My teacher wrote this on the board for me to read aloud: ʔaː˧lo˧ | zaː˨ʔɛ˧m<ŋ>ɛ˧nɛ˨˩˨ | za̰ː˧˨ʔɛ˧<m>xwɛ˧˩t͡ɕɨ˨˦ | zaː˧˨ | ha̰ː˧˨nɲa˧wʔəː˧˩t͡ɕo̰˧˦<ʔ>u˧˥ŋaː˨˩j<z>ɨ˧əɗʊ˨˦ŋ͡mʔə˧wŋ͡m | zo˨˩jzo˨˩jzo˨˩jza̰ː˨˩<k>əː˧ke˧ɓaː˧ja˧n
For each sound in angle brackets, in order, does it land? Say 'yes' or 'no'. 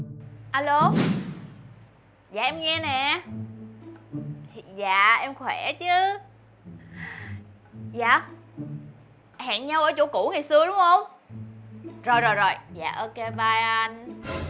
yes, yes, no, no, no

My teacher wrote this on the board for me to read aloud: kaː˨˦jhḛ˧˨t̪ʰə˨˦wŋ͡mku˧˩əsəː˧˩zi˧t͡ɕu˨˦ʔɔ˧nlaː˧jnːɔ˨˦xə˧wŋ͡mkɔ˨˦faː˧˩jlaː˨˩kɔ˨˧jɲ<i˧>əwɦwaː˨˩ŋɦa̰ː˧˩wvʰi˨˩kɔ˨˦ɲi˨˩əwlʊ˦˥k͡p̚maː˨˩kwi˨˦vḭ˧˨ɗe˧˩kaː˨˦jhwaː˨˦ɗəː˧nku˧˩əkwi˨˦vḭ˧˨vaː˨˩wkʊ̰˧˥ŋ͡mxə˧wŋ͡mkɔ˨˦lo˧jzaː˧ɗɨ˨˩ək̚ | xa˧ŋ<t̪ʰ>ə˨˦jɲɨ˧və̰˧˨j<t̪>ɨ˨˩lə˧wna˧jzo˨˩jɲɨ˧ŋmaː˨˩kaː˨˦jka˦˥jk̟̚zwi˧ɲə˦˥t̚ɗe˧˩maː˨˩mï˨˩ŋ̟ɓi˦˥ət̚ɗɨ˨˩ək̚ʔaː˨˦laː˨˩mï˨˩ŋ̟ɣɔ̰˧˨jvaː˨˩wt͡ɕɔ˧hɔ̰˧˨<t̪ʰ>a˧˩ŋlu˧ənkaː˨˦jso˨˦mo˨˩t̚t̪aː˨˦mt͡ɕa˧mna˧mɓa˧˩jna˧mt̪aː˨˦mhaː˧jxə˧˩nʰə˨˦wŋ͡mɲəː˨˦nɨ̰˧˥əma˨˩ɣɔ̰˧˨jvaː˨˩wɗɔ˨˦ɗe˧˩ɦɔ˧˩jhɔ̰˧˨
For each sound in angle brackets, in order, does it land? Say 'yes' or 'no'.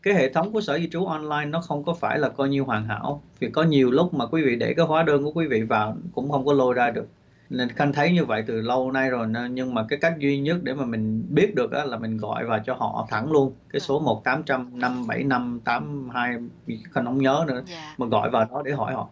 yes, yes, yes, yes

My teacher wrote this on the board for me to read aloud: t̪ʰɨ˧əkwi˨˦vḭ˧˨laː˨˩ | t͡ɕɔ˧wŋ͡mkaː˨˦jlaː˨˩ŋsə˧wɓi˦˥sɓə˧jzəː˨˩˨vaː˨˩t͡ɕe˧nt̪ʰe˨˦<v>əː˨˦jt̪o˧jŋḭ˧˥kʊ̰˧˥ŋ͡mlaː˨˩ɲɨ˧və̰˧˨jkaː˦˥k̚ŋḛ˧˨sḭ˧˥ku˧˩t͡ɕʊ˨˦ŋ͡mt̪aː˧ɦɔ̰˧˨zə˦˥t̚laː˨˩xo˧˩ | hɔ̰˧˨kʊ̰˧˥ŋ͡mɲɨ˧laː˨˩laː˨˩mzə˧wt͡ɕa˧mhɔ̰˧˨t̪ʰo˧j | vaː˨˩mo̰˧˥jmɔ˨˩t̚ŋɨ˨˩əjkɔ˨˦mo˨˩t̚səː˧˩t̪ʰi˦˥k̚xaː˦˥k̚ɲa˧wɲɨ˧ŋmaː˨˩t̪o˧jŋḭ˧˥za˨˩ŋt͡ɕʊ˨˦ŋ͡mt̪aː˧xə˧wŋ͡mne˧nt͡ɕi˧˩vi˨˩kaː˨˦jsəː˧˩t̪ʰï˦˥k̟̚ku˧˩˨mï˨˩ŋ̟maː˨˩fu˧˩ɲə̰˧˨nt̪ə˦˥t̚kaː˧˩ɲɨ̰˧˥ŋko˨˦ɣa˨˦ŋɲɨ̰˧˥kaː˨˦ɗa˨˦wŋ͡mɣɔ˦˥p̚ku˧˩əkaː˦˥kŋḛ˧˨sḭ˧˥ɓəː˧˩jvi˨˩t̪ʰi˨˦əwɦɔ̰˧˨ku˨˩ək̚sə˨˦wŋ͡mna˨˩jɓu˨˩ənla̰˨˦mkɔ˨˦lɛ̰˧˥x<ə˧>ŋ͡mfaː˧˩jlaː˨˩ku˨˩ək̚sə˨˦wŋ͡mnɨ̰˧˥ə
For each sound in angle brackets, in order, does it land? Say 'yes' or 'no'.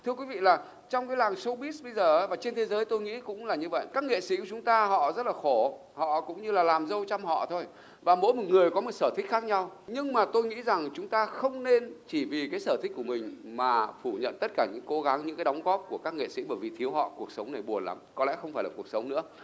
no, yes

